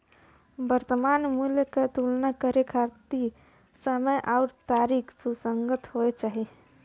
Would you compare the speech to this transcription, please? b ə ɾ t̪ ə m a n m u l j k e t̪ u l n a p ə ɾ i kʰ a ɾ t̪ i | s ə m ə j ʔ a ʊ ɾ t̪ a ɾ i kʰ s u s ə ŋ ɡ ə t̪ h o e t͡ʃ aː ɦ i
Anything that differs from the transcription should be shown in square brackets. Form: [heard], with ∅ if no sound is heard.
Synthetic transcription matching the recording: b ə ɾ t̪ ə m a n m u l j k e t̪ u l n a [k] ə ɾ [e] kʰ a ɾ t̪ i | s ə m ə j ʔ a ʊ ɾ t̪ a ɾ i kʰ s u s ə ŋ ɡ ə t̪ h o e t͡ʃ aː ɦ i